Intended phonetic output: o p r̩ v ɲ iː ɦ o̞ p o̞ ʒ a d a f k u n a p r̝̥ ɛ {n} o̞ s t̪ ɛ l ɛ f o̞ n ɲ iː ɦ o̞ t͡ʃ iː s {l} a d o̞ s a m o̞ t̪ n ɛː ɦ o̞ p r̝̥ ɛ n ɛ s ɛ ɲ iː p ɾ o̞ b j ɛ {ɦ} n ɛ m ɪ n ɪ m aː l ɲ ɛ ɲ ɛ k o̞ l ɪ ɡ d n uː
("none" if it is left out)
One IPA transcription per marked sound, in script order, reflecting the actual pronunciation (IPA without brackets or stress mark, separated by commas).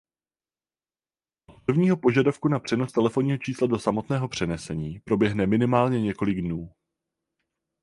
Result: n, l, ɦ